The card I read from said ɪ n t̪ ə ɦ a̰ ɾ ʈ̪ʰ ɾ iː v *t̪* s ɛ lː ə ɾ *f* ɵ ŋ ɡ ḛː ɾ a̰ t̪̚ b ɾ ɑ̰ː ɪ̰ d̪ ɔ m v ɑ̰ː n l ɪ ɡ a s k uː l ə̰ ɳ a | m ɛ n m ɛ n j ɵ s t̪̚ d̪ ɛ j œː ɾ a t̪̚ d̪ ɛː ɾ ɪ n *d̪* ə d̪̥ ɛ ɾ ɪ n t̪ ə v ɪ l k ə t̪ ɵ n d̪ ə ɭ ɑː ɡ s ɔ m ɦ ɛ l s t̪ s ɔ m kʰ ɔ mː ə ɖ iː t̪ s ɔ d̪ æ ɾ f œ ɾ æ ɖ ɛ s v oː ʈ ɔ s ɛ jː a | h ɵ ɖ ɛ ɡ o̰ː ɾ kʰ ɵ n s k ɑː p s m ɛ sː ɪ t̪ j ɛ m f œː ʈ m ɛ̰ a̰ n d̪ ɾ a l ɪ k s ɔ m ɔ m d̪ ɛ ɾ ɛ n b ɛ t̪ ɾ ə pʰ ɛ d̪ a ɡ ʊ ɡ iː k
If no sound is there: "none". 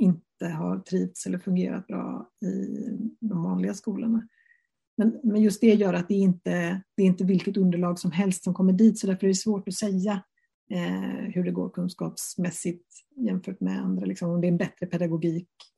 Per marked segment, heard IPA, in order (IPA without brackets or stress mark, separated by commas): t̪, f, t̪